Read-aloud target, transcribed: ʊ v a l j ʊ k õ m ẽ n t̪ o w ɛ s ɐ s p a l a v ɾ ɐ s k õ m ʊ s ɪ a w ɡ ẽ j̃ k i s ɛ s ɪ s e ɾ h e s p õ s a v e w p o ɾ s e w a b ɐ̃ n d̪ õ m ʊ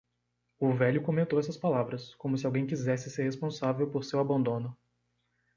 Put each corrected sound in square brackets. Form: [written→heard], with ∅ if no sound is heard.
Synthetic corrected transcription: ʊ v [a→ɛ] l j ʊ k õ m ẽ n t̪ o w ɛ s ɐ s p a l a v ɾ ɐ s k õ m ʊ s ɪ a w ɡ ẽ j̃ k i [s→z] ɛ s ɪ s e ɾ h e s p õ s a v e w p o ɾ s e w a b ɐ̃ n d̪ õ [m→n] ʊ